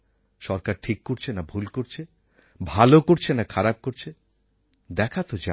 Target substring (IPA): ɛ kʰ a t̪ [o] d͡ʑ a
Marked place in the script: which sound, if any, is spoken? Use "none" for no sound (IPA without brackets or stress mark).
o